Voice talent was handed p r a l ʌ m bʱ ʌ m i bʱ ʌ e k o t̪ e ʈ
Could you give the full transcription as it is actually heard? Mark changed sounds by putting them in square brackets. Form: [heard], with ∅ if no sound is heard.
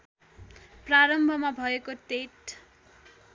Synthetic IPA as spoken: p r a [ɾ] ʌ m bʱ ʌ m [a] bʱ ʌ e k o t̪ e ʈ